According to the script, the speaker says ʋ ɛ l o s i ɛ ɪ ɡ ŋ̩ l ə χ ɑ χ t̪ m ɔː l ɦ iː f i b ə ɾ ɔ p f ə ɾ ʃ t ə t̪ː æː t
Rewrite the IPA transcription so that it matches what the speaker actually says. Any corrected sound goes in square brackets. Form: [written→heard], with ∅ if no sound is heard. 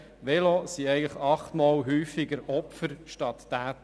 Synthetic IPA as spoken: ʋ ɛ l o s i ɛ ɪ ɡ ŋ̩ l ə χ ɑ χ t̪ m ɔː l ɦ [iː→yː] f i [b→ɡ] ə ɾ ɔ p f ə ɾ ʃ t [ə→ɑ] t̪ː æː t